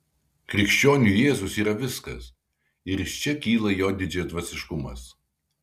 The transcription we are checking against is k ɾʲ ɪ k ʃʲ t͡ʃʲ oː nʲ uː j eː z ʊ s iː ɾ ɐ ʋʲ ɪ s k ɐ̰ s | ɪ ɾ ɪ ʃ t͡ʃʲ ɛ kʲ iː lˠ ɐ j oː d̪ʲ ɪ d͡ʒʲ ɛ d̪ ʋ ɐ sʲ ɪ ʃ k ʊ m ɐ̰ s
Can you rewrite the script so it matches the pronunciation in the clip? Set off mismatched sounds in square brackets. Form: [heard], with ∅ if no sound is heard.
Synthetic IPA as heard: k ɾʲ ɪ k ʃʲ t͡ʃʲ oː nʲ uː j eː z ʊ s iː ɾ ɐ ʋʲ ɪ s k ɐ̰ s | ɪ ɾ ɪ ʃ t͡ʃʲ ɛ kʲ iː lˠ ɐ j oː d̪ʲ ɪ d͡ʒʲ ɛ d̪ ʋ ɐ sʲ ɪ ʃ k ʊ m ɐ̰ s